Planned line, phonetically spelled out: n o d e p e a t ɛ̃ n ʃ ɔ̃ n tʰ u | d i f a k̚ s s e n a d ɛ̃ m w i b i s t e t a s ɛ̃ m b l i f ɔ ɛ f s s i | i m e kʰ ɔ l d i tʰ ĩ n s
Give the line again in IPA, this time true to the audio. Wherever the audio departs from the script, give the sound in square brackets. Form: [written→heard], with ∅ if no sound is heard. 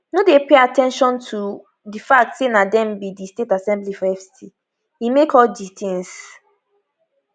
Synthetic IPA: n o d e p e a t ɛ̃ n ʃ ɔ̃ n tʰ u | d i f a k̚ [s→t] s e n a d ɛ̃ m [w→b] i [b→d] i s t e t a s ɛ̃ m b l i f ɔ ɛ f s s i | i m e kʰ ɔ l d i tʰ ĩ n s